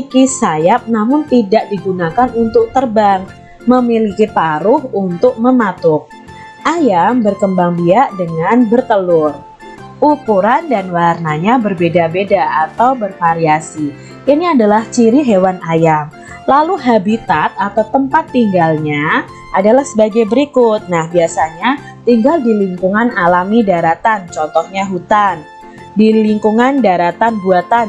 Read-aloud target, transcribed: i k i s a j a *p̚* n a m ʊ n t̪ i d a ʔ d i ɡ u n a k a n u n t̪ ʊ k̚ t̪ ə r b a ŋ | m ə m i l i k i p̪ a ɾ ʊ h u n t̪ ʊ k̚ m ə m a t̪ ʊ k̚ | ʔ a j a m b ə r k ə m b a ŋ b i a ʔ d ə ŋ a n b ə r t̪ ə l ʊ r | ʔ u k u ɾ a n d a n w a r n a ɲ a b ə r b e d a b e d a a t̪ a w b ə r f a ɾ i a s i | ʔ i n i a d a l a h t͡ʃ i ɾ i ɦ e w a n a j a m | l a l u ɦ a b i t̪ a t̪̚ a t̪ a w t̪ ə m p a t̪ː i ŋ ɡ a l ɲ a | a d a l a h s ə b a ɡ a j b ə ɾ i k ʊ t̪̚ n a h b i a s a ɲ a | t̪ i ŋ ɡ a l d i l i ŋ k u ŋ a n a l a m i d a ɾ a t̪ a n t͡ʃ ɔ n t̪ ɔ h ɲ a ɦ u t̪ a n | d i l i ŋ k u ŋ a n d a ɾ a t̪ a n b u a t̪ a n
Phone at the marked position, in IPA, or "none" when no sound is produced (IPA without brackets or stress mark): p̚